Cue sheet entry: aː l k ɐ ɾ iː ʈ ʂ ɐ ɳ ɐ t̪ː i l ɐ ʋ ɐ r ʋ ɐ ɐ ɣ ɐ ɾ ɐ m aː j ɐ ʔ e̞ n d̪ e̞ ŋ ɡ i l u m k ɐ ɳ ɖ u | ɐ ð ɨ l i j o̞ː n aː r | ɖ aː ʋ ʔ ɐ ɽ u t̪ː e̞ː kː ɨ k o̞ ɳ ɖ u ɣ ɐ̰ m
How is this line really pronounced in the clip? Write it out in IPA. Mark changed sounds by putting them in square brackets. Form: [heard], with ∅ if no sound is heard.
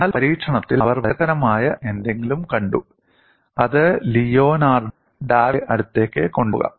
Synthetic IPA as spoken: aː l [p] ɐ ɾ iː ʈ ʂ ɐ ɳ ɐ t̪ː i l ɐ ʋ ɐ r ʋ ɐ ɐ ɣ ɐ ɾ ɐ m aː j ɐ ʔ e̞ n d̪ e̞ ŋ ɡ i l u m k ɐ ɳ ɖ u | ɐ ð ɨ l i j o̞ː n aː r | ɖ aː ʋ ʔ ɐ ɽ u t̪ː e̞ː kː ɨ k o̞ ɳ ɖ u ɣ ɐ̰ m